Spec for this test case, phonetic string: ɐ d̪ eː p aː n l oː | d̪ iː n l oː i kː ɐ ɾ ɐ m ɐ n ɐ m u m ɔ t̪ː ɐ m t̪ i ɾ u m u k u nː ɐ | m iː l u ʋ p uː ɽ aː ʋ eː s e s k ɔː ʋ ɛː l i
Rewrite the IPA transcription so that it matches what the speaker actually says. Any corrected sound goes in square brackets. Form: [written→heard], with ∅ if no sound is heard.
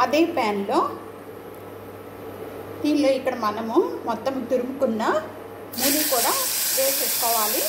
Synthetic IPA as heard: ɐ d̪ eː p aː n l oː | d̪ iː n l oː i kː ɐ [ɾ→ɽ] ɐ m ɐ n ɐ m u m ɔ t̪ː ɐ m t̪ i ɾ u m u k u nː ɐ | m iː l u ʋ [p→k] uː ɽ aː ʋ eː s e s k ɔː ʋ [ɛː→aː] l i